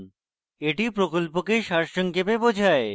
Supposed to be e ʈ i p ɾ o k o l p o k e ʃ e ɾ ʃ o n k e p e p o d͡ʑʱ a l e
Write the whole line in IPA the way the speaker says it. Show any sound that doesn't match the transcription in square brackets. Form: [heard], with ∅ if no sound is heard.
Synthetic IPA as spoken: e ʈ i p ɾ o k o l p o k e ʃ [a] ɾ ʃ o [ŋ] k e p e [b] o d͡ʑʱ a [∅] e